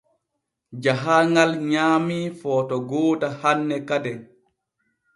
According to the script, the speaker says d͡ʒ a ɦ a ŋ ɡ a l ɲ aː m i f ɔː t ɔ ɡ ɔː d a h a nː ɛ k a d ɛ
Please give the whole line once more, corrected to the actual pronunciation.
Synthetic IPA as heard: d͡ʒ a ɦ a ŋ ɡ a l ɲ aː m i f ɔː t ɔ ɡ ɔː d a h a nː ɛ k a d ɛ